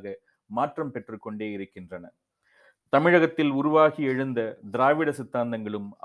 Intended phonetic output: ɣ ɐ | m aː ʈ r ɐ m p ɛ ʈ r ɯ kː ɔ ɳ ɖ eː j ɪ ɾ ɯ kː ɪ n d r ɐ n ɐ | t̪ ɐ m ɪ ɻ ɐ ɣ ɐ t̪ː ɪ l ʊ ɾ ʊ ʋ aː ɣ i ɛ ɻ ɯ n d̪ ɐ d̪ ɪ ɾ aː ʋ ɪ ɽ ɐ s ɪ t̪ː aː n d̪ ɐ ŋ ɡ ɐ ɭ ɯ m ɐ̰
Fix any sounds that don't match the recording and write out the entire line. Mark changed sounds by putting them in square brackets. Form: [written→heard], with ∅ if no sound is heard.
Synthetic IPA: ɣ ɐ | m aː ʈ r ɐ m p ɛ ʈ r ɯ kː ɔ ɳ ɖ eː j ɪ ɾ ɯ kː ɪ n d r ɐ n ɐ | t̪ ɐ m ɪ ɻ ɐ ɣ ɐ t̪ː ɪ l ʊ ɾ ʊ ʋ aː ɣ i ɛ ɻ ɯ n d̪ ɐ d̪ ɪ ɾ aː ʋ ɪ ɽ ɐ s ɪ t̪ː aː n d̪ ɐ ŋ ɡ ɐ ɭ ɯ m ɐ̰